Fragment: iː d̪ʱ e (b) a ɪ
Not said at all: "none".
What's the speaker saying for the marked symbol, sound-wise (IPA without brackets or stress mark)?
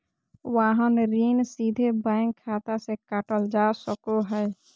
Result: b